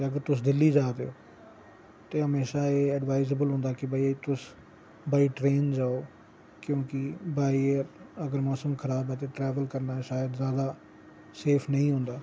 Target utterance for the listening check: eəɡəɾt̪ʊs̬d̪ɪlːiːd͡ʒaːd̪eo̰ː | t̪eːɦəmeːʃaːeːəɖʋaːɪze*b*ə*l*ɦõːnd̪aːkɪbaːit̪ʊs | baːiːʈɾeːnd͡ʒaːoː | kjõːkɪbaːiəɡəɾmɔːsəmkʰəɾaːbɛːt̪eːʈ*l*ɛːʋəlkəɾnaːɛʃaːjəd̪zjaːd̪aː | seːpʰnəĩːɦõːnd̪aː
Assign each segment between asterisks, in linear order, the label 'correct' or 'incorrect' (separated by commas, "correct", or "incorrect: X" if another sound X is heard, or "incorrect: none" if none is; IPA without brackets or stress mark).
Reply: correct, correct, incorrect: ɾ